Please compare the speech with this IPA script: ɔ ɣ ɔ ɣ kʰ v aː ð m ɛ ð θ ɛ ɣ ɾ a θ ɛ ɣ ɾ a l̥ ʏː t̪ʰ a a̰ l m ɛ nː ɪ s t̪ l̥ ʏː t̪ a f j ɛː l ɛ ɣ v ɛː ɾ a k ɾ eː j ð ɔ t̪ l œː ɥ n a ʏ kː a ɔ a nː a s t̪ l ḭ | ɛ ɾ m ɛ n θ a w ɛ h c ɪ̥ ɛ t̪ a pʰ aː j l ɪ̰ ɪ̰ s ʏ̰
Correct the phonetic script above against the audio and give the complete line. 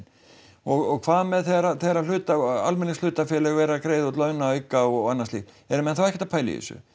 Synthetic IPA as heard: ɔ ɣ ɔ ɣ kʰ v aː ð m ɛ ð θ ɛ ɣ ɾ a θ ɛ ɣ ɾ a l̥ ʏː t̪ a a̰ l m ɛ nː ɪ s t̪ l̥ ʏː t̪ a f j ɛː l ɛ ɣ v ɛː ɾ a k ɾ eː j ð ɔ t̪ l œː ɥ n a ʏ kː a ɔ a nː a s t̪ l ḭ | ɛ ɾ m ɛ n θ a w ɛ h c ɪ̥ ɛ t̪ a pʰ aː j l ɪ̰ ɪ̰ s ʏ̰